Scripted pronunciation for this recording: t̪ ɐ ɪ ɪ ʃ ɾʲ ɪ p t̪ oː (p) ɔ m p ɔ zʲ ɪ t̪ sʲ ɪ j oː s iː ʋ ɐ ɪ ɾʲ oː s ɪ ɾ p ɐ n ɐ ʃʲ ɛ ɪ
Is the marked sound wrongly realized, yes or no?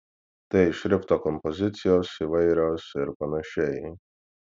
yes